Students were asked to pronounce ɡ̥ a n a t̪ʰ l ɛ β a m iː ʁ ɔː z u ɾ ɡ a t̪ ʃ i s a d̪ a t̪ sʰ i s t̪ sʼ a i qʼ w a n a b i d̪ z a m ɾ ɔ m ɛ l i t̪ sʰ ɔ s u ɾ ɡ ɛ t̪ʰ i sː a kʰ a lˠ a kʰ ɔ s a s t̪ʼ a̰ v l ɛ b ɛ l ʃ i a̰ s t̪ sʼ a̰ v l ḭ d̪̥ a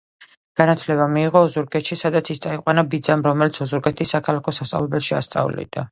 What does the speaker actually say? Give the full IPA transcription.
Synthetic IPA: ɡ̥ a n a t̪ʰ l ɛ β a m iː ʁ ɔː z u ɾ ɡ ɛ t̪ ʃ i s a d̪ a t̪ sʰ i s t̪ sʼ a i qʼ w a n a b i d̪ z a m ɾ ɔ m ɛ l i t̪ sʰ ɔ z u ɾ ɡ ɛ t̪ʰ i sː a kʰ a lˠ a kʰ ɔ s a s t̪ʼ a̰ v l ɛ b ɛ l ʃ i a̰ s t̪ sʼ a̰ v l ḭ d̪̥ a